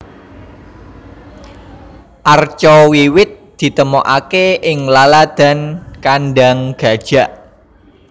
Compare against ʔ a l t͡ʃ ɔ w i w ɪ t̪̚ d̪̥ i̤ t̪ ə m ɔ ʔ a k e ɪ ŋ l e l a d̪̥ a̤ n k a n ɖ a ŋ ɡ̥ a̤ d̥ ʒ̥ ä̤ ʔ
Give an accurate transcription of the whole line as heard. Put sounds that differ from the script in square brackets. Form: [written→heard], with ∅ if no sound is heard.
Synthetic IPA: ʔ a [l→r] t͡ʃ ɔ w i w ɪ t̪̚ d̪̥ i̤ t̪ ə m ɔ ʔ a k e ɪ ŋ l [e→a] l a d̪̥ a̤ n k a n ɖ a ŋ ɡ̥ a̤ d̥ ʒ̥ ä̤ ʔ